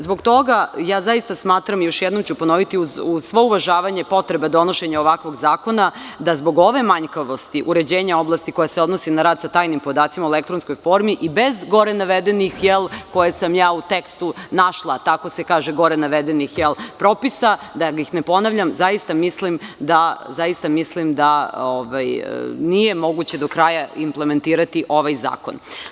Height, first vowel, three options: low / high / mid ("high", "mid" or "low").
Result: mid